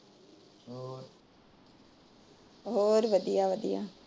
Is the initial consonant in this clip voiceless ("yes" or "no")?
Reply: no